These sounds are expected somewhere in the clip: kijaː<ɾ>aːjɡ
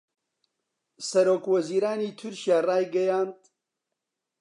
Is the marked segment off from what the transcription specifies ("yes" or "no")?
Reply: yes